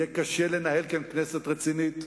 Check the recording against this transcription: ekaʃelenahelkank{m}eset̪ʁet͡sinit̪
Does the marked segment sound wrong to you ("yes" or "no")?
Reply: yes